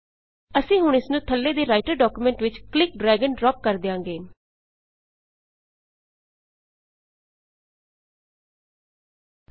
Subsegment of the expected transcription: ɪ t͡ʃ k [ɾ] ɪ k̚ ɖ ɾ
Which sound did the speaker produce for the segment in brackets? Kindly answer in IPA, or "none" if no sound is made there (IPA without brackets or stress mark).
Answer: l